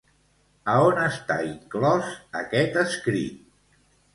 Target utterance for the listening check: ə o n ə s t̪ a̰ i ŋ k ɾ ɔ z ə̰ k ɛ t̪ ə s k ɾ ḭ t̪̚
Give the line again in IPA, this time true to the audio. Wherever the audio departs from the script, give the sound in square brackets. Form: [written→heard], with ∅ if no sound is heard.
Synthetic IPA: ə o n ə s t̪ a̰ i ŋ k [ɾ→l] ɔ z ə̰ k ɛ t̪ ə s k ɾ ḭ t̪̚